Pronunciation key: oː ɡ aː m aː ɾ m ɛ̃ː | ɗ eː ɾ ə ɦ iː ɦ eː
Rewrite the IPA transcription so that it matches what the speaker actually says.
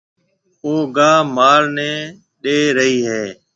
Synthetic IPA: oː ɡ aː m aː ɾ n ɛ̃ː | ɗ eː ɾ ə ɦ iː ɦ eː